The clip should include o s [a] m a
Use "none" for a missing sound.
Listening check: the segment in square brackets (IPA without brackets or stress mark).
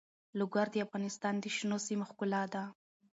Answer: i